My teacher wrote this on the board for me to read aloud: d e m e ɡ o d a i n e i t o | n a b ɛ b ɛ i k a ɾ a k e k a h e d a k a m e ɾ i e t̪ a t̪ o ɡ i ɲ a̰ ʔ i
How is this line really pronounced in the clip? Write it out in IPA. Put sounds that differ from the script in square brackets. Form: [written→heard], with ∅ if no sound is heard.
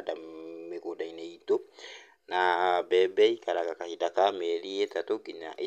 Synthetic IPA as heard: d [e→a] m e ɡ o d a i n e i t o | n a b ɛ b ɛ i k a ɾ a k [e→a] k a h [e→i] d a k a m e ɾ i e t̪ a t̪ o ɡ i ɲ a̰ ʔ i